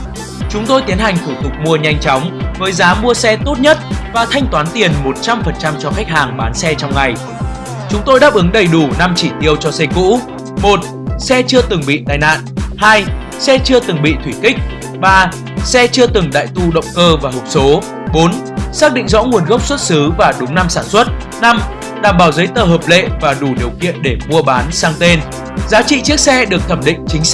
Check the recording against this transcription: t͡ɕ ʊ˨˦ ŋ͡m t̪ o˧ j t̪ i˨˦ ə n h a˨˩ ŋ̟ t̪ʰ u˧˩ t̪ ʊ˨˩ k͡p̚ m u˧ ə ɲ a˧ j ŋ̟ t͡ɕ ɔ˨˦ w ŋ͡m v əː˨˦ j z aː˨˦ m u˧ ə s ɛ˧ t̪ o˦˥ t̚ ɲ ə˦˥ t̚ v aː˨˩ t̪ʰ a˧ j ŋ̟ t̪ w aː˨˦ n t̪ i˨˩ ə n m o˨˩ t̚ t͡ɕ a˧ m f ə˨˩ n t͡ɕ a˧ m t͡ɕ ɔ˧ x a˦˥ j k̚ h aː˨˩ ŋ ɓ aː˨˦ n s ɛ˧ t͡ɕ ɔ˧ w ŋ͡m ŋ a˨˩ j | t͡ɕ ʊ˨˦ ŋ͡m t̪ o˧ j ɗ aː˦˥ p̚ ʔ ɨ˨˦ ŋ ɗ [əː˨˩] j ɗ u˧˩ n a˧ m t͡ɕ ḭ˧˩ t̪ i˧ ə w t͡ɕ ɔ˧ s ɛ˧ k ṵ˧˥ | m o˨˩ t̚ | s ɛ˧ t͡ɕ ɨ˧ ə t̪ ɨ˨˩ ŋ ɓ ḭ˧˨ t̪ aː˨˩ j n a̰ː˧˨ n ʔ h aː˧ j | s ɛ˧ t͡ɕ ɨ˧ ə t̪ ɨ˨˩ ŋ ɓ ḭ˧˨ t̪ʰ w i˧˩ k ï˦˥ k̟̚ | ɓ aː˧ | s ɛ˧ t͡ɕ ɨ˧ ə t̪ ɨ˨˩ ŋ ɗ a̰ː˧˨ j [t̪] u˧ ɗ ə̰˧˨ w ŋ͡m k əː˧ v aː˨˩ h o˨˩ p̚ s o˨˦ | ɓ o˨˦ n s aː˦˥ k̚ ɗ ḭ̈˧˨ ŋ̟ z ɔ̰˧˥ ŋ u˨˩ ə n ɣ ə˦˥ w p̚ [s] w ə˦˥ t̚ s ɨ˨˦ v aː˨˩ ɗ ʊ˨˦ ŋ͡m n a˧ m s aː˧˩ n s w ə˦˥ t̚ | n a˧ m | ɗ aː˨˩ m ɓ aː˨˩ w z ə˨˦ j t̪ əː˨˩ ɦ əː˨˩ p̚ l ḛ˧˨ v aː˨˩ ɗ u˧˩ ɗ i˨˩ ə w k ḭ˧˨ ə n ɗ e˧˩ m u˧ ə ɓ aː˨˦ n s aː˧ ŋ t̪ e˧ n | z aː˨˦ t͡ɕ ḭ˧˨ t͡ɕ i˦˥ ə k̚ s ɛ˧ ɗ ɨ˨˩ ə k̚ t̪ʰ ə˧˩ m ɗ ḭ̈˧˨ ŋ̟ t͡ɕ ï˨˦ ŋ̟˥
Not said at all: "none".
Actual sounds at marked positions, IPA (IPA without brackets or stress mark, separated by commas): ə˨˩, t̪, s